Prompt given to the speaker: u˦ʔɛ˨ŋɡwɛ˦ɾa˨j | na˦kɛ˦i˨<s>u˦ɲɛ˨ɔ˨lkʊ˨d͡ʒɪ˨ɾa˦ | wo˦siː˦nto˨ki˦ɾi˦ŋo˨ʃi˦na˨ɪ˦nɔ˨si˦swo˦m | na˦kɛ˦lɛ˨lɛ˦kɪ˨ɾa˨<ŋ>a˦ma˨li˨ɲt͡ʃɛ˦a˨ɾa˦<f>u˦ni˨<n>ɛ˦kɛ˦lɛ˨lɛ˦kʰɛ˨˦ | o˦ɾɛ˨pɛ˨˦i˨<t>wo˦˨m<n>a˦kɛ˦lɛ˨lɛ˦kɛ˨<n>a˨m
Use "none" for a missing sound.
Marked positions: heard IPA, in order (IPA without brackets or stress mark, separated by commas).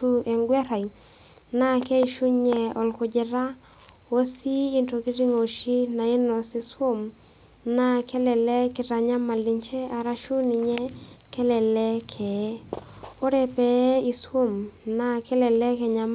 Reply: ʃ, ɲ, ʃ, ɲ, s, n, ɲ